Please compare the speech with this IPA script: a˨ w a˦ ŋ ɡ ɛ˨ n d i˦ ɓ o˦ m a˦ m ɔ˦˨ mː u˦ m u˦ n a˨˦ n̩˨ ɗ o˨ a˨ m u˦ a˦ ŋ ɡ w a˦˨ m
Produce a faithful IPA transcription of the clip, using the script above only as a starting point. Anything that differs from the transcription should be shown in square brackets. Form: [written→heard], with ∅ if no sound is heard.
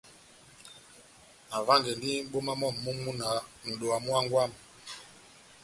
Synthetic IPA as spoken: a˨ [w→v] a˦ ŋ ɡ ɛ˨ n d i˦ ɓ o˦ m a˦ m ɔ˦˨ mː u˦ m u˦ n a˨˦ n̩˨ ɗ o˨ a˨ m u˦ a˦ ŋ ɡ w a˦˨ m